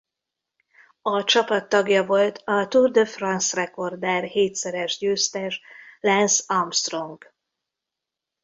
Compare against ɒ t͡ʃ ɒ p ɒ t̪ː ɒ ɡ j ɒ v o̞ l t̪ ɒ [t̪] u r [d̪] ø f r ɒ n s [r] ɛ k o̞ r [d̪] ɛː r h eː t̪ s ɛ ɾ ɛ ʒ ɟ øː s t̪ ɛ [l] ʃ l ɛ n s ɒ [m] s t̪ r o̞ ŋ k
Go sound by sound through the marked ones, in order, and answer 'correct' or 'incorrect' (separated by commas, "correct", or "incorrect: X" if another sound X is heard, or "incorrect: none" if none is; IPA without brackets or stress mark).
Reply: correct, correct, correct, correct, incorrect: none, correct